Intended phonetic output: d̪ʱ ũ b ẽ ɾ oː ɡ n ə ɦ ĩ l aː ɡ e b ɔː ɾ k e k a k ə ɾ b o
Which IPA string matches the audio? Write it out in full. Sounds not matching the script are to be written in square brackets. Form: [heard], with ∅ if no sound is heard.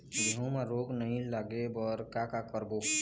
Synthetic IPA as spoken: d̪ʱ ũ [m] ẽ ɾ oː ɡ n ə ɦ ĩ l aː ɡ e b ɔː ɾ k [a] k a k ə ɾ b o